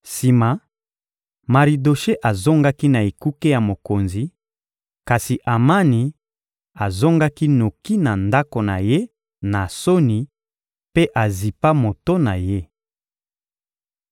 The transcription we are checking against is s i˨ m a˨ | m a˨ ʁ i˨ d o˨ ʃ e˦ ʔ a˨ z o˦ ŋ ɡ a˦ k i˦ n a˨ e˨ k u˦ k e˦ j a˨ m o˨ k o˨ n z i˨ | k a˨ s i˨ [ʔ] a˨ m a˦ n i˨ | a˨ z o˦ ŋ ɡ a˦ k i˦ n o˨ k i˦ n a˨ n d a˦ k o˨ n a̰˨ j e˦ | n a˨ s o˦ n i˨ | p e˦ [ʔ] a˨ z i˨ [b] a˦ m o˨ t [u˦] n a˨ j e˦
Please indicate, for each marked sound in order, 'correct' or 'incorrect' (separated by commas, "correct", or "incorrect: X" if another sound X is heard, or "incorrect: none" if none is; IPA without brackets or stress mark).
correct, correct, incorrect: p, incorrect: o˦